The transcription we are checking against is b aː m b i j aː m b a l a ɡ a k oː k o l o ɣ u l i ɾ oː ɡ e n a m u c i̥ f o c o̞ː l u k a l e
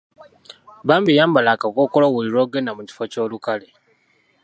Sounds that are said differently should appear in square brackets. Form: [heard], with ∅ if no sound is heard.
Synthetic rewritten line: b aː m b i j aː m b a l a [k] a k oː k o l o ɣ u l i ɾ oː ɡ e n a m u c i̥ f o c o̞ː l u k a l e

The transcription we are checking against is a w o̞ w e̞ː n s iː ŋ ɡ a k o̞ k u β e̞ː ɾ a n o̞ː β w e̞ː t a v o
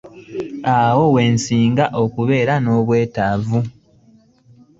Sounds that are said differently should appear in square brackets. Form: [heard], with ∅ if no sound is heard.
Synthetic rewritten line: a w o̞ w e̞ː n s iː ŋ ɡ a [ʔ] o̞ k u β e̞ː ɾ a n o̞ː β w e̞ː t a v [u]

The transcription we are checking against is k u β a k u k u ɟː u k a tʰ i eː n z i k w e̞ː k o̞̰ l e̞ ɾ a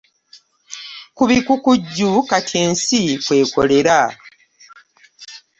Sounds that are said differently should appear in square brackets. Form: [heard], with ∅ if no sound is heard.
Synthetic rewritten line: k u β [i] k u k u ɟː u k a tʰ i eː n [s] i k w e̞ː k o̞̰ l e̞ ɾ a

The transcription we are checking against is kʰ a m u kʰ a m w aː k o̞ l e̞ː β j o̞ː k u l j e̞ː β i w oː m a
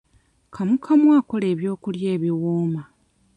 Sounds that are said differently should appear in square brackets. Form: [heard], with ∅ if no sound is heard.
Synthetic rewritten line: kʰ a m u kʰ a m w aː k o̞ l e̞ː β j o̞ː k u l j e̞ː β i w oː m a

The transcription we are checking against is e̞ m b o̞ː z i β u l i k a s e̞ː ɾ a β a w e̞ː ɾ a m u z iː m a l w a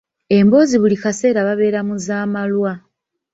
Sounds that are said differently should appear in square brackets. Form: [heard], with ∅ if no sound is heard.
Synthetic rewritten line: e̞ m b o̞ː z i β u l i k a s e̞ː ɾ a β a [β] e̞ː ɾ a m u z [aː] m a l w a

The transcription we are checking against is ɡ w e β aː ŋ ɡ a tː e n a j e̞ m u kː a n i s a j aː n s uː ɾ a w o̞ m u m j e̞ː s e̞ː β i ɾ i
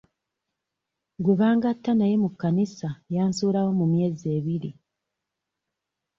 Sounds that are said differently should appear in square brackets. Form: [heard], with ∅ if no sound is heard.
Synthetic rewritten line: ɡ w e β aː ŋ ɡ a tː [a] n a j e̞ m u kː a n i s a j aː n s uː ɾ a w o̞ m u m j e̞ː [z] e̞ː β i ɾ i

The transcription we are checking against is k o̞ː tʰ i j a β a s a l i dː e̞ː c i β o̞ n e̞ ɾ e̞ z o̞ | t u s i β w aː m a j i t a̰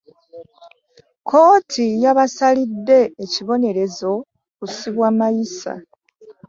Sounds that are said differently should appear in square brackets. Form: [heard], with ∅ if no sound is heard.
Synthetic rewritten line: k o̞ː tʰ i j a β a s a l i dː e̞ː c i β o̞ n e̞ ɾ e̞ z o̞ | [k] u s i β w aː m a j i [s] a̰

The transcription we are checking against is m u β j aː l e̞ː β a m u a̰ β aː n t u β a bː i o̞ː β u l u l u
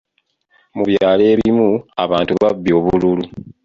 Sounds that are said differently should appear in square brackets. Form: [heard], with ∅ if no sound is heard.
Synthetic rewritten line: m u β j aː l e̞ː β [i] m u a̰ β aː n t u β a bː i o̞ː β u l u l u

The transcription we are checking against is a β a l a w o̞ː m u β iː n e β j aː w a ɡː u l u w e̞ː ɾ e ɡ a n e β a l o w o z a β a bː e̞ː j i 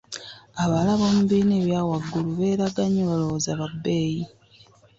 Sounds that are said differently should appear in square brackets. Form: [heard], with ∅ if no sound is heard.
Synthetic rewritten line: a β a l a [β] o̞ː m u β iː n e β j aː w a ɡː u l u [β] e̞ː ɾ [a] ɡ a [ɲ] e β a l o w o z a β a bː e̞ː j i

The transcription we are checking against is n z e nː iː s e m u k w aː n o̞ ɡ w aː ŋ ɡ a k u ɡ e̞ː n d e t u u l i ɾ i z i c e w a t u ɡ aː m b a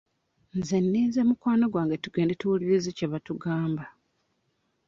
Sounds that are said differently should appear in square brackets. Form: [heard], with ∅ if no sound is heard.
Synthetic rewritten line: n z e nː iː [z] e m u k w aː n o̞ ɡ w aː ŋ ɡ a [t] u ɡ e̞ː n d e t u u l i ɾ i z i c e [β] a t u ɡ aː m b a

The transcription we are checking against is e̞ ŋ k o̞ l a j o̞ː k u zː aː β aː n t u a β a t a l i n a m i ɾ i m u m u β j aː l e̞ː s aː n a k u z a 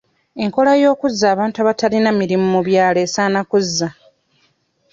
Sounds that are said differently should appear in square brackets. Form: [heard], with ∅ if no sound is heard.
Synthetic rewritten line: e̞ ŋ k o̞ l a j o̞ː k u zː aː β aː n t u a β a t a l i n a m i ɾ i m u m u β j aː l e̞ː s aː n a k u [zː] a

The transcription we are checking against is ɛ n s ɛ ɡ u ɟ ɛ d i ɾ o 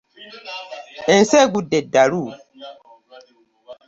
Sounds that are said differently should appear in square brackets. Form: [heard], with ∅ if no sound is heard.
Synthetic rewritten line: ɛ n s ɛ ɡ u [d] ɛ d [a] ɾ [u]

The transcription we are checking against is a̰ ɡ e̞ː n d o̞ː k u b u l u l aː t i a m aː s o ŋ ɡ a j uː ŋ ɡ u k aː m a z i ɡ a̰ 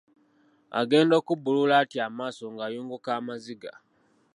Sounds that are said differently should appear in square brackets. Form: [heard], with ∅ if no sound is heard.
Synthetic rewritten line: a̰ ɡ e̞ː n d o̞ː k u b u l u l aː t i a m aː s o ŋ ɡ a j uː ŋ ɡ u k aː m a z i ɡ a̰

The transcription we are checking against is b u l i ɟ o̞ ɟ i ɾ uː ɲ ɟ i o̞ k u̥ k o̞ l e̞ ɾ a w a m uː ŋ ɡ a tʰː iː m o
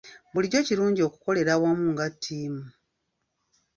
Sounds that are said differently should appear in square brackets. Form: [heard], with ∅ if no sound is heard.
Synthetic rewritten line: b u l i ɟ o̞ [c] i ɾ uː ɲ ɟ i o̞ k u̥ k o̞ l e̞ ɾ a w a m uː ŋ ɡ a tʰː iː m [u]

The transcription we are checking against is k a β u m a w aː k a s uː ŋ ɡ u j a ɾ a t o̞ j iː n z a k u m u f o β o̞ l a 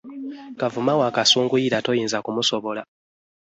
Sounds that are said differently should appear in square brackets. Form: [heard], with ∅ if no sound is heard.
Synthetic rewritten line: k a [v] u m a w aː k a s uː ŋ ɡ u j [i] ɾ a t o̞ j iː n z a k u m u [s] o β o̞ l a

